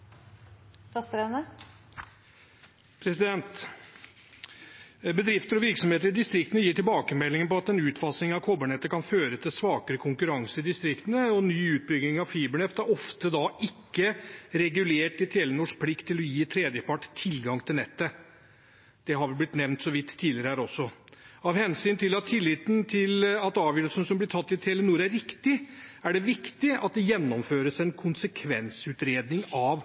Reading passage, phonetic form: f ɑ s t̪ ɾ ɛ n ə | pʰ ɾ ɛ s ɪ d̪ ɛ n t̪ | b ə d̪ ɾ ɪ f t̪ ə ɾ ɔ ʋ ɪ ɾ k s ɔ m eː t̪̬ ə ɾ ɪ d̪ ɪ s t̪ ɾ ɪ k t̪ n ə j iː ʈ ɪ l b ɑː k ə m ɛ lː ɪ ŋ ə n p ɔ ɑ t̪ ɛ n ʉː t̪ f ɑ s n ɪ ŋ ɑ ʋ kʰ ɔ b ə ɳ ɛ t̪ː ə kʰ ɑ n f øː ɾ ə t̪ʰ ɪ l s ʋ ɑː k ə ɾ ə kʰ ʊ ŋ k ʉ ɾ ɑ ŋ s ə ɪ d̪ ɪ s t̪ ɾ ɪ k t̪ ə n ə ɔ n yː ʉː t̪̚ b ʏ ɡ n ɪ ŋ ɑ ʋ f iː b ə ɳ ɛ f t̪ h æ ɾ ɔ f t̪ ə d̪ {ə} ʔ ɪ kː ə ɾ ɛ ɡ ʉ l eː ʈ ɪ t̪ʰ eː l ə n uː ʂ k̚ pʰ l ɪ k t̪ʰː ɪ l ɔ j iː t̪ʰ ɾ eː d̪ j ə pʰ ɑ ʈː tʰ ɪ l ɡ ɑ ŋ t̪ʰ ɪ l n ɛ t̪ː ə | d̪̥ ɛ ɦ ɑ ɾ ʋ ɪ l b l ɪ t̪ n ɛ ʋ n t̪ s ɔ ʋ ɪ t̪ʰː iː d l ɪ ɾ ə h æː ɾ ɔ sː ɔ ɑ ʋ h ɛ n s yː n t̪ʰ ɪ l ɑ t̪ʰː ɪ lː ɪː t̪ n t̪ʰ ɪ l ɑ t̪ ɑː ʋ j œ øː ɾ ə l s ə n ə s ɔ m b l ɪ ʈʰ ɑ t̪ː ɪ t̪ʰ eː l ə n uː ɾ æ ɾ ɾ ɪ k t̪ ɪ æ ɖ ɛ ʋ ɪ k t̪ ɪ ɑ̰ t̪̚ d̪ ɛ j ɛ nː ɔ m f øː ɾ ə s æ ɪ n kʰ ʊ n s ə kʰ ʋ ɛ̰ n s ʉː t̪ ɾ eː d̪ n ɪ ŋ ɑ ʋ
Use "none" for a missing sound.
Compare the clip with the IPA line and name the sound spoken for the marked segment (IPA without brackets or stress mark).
ɑ